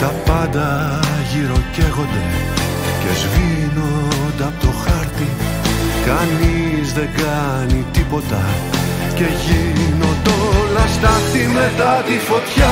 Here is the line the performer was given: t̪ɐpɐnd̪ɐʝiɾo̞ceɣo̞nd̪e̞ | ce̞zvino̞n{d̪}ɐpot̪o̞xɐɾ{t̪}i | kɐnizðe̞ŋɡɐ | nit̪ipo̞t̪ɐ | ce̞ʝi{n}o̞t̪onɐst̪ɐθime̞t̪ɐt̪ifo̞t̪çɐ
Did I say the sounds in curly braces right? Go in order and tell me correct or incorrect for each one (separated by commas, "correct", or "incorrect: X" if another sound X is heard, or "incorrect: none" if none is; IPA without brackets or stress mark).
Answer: correct, correct, correct